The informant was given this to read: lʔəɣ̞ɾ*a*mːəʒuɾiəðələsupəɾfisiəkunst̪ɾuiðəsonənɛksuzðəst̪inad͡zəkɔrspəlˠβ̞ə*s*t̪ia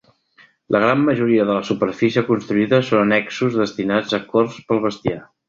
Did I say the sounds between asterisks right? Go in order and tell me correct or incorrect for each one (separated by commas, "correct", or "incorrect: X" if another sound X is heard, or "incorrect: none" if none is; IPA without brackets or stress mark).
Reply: correct, correct